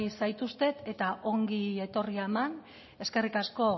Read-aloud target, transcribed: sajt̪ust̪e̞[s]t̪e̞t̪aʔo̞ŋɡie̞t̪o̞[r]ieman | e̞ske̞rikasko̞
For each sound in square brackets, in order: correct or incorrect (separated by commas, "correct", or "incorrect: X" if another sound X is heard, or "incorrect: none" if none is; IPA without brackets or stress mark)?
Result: incorrect: none, correct